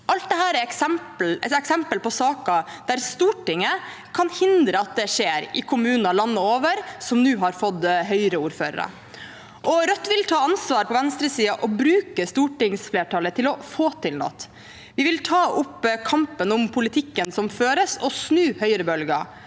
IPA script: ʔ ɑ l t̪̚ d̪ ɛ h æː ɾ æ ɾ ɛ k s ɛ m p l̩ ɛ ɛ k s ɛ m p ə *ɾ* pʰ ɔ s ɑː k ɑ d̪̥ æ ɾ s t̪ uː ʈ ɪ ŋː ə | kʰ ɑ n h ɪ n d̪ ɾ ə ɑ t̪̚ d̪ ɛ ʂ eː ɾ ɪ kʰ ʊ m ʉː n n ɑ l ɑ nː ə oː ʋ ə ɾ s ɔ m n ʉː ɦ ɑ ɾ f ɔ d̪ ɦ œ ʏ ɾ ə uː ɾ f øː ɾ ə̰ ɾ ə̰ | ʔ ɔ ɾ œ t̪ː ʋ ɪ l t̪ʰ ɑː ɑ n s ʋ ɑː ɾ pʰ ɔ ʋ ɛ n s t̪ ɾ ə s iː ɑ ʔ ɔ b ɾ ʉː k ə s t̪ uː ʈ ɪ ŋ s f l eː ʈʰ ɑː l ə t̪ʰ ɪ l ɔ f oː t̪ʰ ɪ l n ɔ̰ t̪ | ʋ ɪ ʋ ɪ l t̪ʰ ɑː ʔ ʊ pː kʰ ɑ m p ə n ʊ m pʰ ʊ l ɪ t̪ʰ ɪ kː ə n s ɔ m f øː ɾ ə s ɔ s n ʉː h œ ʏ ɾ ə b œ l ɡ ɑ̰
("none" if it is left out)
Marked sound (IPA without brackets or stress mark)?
l